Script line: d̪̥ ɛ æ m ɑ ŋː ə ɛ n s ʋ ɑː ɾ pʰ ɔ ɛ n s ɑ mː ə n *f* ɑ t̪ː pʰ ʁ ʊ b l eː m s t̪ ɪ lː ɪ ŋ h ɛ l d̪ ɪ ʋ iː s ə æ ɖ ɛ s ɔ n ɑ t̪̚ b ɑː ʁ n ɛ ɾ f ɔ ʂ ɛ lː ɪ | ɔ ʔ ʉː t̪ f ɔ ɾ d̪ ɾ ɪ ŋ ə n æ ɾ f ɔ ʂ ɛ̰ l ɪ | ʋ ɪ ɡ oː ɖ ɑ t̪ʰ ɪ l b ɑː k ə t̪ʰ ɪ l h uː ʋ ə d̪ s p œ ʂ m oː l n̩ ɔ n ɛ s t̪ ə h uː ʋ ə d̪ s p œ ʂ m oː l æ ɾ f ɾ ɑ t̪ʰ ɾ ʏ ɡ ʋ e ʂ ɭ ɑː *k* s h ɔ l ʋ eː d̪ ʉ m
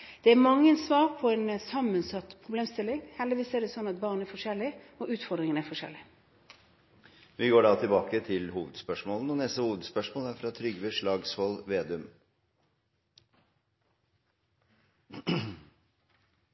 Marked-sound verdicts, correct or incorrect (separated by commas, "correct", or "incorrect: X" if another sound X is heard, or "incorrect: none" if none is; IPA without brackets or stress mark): incorrect: s, incorrect: ɡ